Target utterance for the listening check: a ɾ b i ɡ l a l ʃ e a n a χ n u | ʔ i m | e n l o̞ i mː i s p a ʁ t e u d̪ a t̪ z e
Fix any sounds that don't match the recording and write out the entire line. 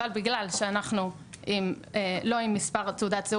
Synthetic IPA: a l b i ɡ l a l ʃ e a n a χ n u | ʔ i m | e l o̞ i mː i s p a ʁ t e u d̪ a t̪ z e